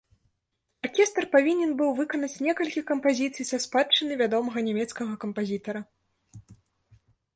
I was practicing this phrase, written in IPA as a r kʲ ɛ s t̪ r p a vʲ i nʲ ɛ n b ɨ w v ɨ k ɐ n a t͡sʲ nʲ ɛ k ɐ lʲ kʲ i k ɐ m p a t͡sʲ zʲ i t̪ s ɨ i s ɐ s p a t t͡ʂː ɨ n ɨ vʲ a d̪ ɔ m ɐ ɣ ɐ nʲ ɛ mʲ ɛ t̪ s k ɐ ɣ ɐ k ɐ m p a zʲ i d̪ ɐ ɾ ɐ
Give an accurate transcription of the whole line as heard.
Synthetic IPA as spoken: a r kʲ ɛ s t̪ r p a vʲ i nʲ ɛ n b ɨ w v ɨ k ɐ n ɐ t͡sʲ nʲ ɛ k ɐ lʲ kʲ i k ɐ m p a zʲ i t̪ s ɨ j s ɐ s p a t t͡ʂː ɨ n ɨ vʲ a d̪ ɔ m ɐ ɣ ɐ nʲ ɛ mʲ ɛ t̪ s k ɐ ɣ ɐ k ɐ m p a zʲ i t̪ ɐ ɾ ɐ